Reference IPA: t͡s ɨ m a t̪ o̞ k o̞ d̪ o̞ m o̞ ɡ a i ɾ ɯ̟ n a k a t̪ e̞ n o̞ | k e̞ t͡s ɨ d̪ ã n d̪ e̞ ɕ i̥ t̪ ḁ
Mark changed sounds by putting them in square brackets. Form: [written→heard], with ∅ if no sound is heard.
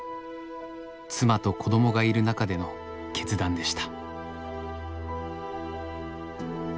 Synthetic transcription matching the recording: t͡s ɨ m a t̪ o̞ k o̞ d̪ o̞ m o̞ ɡ a i ɾ ɯ̟ n a k a [t̪→d̪] e̞ n o̞ | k e̞ t͡s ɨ d̪ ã n d̪ e̞ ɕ i̥ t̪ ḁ